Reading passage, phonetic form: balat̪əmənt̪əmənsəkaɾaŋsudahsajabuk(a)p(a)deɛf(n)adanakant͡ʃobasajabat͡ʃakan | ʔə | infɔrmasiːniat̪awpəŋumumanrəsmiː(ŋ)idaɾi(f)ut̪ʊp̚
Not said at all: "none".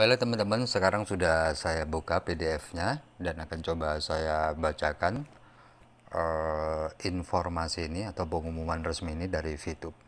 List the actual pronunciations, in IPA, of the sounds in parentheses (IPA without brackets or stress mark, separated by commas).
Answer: a, e, ɲ, n, f